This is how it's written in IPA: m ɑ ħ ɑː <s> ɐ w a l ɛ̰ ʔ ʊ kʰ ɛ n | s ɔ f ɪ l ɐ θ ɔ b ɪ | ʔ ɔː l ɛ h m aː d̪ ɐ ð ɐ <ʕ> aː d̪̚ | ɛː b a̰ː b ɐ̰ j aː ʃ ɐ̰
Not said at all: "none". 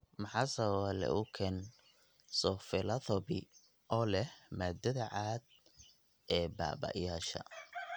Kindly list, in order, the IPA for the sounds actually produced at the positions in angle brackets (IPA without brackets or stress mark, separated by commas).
s, ʕ